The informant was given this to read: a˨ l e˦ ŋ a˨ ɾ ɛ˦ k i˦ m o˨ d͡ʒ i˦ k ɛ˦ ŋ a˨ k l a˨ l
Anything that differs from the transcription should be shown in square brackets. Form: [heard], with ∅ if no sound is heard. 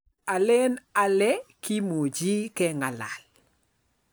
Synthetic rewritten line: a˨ l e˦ [n] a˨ [l] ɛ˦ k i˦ m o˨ d͡ʒ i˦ k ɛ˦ ŋ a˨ [∅] l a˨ l